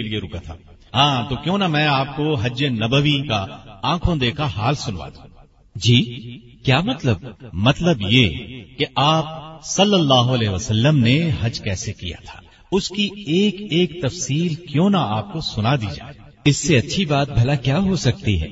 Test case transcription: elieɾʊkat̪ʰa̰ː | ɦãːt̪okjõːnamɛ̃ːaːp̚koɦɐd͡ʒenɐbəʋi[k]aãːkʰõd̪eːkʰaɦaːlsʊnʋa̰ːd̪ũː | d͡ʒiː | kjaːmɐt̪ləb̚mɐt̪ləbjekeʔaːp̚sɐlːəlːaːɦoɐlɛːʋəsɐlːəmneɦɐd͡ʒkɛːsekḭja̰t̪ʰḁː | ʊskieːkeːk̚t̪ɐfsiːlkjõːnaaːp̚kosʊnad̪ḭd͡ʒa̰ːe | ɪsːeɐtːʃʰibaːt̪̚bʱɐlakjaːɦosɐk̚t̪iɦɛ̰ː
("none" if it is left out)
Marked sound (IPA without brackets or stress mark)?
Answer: k